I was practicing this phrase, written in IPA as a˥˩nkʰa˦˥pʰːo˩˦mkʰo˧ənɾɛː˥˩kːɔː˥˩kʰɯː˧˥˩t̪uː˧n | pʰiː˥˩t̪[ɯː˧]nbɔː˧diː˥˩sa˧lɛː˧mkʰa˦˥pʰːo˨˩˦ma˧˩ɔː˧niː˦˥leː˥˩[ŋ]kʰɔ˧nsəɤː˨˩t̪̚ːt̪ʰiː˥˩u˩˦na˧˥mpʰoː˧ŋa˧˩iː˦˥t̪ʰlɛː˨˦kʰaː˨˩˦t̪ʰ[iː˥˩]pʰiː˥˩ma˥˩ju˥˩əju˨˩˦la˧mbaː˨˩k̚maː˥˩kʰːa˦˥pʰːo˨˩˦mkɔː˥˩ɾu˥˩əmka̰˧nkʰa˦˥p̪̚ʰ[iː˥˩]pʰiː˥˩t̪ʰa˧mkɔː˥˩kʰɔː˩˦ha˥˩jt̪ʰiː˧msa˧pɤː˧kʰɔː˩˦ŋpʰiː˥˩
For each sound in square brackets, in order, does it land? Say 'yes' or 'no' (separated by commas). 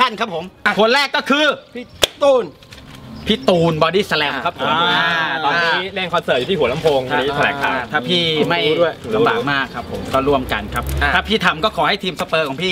no, yes, no, no